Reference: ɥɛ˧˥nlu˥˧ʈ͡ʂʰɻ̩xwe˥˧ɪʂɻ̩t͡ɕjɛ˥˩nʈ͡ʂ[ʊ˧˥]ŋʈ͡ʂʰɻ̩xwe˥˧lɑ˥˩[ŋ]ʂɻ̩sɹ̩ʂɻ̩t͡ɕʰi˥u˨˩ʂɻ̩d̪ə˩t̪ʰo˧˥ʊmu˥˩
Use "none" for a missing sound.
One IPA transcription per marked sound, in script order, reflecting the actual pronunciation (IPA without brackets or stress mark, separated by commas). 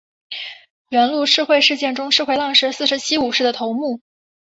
ʊ˥, ŋ